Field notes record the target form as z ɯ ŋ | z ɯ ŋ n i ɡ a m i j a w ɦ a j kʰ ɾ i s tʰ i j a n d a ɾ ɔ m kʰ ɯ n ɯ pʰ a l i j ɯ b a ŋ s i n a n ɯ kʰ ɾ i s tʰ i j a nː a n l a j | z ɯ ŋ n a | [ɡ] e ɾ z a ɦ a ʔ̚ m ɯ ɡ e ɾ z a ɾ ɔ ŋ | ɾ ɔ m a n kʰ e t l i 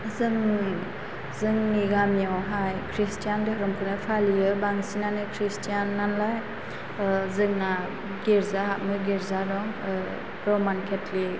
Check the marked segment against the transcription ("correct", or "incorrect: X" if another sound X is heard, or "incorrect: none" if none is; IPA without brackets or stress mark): correct